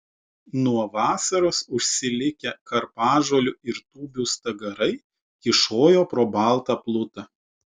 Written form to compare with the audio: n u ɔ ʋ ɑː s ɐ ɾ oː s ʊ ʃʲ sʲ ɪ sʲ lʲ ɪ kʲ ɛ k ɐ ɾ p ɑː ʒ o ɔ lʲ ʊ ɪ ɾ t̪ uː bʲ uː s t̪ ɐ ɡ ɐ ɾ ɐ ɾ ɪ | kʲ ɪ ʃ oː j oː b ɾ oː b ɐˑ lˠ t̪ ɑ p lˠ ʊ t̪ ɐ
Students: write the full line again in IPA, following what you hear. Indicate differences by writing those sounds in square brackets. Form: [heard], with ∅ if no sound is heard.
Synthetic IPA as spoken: n u ɔ ʋ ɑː s ɐ ɾ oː s ʊ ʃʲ sʲ ɪ [∅] lʲ ɪ kʲ ɛ k ɐ ɾ p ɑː ʒ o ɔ lʲ ʊ ɪ ɾ t̪ uː bʲ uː s t̪ ɐ ɡ ɐ ɾ ɐ [∅] ɪ | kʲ ɪ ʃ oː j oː [p] ɾ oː b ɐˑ lˠ t̪ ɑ p lˠ ʊ t̪ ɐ